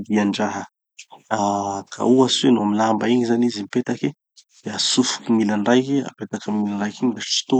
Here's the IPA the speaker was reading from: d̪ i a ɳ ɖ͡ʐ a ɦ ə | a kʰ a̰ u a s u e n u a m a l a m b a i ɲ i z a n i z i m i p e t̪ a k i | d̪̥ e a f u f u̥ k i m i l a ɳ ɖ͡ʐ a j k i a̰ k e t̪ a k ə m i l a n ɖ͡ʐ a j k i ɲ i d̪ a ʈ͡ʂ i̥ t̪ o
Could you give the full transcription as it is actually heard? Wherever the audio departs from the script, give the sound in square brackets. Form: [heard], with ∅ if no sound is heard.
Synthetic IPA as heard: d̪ i a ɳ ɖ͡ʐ a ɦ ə | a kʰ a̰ u a s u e n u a m [i] l a m b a i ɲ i z a n i z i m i p e t̪ a k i | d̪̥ e a [s] u f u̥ k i m i l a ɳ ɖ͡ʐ a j k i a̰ [p] e t̪ a k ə m i l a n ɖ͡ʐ a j k i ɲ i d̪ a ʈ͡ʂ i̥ t̪ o